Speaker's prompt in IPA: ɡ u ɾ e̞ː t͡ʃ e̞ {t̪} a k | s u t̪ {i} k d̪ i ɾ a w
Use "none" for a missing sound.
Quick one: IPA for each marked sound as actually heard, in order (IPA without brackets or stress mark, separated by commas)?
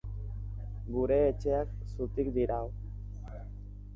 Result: none, i